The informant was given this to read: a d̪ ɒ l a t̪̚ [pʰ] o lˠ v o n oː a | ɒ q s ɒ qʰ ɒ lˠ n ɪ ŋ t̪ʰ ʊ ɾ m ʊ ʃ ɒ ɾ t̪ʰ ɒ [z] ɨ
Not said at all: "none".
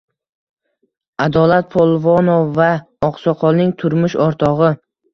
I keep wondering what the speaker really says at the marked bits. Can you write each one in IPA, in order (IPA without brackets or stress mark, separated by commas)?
pʰ, ʁ